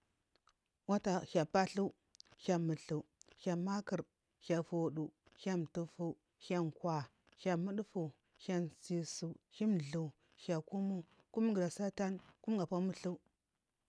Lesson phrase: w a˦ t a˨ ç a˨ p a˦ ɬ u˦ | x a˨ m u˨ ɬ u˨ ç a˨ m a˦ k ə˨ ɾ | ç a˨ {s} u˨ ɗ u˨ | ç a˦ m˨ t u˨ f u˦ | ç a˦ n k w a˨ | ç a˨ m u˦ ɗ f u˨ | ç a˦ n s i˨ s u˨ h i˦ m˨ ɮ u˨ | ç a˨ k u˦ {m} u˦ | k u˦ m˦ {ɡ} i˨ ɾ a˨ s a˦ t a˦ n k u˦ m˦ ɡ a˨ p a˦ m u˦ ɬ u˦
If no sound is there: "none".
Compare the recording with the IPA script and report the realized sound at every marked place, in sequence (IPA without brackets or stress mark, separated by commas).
f, m, ɡ